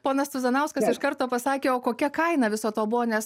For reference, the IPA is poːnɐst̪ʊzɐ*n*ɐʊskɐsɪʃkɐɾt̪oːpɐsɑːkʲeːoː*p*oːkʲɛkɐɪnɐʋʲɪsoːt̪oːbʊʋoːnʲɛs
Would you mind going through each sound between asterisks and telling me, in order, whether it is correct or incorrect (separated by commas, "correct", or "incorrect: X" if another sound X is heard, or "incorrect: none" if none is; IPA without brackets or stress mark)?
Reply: correct, incorrect: k